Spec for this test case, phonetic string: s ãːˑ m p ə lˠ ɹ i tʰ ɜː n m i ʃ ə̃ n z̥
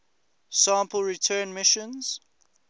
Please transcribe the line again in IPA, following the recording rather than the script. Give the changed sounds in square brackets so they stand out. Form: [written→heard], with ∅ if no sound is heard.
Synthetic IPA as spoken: s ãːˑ m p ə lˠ ɹ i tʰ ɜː n m [i→ɪ] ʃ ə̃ n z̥